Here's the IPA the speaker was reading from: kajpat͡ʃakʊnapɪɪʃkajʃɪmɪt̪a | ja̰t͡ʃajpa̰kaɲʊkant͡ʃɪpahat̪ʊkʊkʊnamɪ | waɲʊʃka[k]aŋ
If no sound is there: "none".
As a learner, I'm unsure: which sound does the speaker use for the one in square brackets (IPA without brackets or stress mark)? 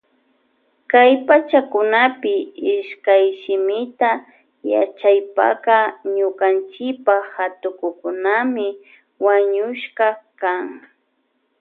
k